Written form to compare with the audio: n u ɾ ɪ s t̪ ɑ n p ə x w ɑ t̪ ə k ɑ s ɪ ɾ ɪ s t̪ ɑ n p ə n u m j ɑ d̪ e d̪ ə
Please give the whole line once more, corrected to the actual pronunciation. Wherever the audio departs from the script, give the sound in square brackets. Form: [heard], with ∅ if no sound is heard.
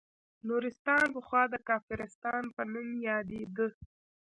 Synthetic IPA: n u ɾ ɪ s t̪ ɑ n p ə x w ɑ [d̪] ə k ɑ [f] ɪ ɾ ɪ s t̪ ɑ n p ə n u m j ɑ d̪ e d̪ ə